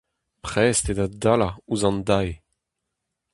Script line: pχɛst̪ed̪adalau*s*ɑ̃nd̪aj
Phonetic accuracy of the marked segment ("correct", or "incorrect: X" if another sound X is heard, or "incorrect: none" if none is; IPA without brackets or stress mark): incorrect: z